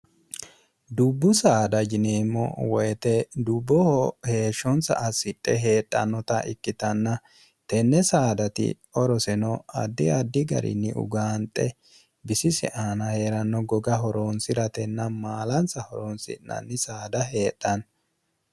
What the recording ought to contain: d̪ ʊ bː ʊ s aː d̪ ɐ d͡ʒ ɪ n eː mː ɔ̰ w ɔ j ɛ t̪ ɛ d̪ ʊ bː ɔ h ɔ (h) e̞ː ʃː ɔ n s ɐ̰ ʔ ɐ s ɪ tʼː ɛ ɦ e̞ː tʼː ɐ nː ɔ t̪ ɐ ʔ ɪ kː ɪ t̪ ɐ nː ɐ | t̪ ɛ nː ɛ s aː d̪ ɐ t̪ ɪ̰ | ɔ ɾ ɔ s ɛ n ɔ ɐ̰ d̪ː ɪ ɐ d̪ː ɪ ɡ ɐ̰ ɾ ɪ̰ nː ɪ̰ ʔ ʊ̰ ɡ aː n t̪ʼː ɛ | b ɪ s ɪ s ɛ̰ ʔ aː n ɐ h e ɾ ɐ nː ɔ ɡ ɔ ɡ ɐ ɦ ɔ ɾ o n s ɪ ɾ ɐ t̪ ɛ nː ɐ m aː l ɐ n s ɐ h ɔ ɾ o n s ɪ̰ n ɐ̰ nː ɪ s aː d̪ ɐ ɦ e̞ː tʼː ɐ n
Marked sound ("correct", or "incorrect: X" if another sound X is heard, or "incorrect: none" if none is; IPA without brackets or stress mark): correct